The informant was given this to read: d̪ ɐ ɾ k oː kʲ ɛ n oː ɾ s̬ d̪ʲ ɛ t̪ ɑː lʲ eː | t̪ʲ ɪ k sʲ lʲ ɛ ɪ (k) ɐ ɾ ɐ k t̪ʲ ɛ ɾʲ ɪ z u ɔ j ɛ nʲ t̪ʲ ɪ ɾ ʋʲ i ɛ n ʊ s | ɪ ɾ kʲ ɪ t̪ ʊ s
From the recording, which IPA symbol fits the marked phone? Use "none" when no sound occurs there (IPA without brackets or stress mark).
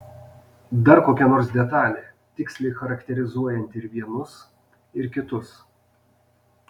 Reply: x